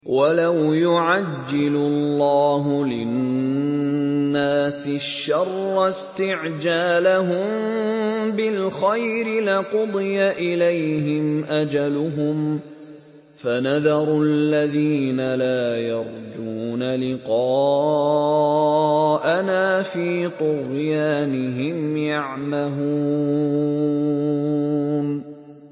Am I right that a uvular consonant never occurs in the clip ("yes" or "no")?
no